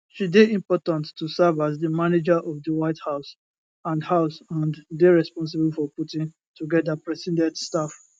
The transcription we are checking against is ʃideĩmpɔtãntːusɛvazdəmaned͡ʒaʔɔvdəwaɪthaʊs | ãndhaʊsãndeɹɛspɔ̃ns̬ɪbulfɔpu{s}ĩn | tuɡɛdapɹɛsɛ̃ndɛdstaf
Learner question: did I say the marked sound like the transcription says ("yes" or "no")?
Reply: no